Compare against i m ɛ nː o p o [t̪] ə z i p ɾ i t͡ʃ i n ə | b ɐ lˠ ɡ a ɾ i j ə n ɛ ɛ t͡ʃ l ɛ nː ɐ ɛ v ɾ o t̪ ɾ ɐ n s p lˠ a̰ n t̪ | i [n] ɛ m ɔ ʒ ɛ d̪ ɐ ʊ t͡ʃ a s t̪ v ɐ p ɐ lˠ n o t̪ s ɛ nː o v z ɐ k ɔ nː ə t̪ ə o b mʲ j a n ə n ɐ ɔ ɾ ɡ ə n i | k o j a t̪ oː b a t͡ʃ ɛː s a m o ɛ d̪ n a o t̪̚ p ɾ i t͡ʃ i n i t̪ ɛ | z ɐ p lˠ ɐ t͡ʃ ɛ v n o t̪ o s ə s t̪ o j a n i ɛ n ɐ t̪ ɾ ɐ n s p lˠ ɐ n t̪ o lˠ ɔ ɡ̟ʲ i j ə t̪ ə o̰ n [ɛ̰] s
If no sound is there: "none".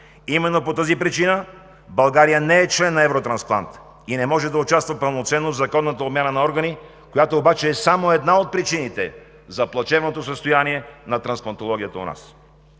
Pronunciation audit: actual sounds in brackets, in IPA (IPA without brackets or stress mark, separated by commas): t̪, n, a̰